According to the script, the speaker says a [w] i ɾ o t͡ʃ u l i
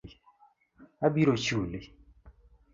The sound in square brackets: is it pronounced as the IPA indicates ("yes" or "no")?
no